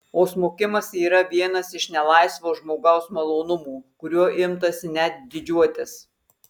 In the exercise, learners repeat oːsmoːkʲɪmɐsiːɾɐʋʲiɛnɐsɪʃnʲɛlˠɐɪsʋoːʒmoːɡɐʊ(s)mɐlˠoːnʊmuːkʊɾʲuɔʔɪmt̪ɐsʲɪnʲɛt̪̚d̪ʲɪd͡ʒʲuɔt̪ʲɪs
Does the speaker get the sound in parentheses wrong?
no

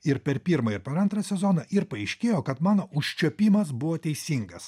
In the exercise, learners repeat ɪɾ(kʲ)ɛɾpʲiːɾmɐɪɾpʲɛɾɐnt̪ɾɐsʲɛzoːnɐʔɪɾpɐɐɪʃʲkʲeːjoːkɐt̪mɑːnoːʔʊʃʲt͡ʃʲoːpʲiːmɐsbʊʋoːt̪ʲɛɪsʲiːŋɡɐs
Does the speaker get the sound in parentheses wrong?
yes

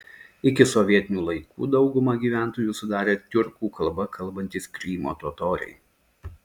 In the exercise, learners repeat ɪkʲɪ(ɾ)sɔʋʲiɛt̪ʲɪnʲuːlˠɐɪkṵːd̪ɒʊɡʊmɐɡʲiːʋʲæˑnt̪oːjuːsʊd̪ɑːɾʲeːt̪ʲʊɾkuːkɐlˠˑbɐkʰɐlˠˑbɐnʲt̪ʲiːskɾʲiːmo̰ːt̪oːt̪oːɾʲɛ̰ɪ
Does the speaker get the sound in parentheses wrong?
yes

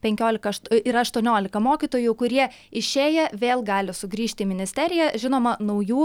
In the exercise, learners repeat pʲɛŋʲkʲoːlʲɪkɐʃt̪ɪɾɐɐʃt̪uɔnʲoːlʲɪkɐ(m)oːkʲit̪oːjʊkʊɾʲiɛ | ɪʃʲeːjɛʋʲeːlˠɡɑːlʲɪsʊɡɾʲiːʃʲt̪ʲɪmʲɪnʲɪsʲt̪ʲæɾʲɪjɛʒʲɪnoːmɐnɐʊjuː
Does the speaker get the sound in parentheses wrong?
no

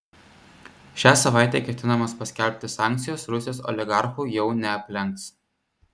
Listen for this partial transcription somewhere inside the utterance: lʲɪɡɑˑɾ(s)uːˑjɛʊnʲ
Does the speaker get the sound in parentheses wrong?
yes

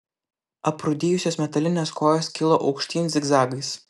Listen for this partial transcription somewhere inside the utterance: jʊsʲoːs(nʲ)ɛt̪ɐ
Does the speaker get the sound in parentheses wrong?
yes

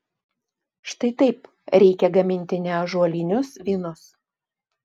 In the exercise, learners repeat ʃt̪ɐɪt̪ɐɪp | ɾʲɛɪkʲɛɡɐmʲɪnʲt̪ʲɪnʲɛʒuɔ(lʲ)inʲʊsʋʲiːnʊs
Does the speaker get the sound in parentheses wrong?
no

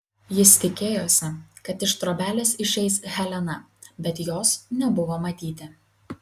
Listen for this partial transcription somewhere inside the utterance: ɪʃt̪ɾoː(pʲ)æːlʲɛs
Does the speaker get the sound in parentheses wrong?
yes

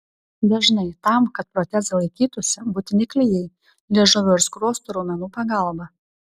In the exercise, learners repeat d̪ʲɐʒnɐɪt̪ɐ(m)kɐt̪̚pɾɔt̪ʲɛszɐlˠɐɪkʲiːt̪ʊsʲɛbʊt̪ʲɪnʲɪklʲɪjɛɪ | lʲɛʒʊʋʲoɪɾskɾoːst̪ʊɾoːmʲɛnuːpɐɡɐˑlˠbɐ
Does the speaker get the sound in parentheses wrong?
no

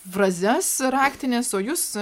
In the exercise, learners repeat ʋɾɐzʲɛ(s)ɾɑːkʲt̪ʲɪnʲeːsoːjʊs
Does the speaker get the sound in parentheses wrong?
no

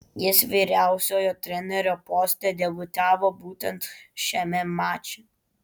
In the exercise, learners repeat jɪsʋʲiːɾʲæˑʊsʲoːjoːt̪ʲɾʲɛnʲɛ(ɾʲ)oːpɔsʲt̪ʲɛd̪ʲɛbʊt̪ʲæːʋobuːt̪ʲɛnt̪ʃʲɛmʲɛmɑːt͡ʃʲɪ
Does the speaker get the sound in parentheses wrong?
no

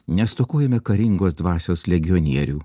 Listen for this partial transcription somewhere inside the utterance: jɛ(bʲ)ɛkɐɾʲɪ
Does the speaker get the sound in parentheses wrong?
yes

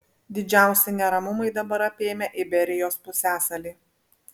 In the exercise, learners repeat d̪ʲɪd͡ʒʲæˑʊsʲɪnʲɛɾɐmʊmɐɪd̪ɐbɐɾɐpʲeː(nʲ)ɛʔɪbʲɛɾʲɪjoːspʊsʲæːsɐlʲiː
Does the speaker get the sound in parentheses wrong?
yes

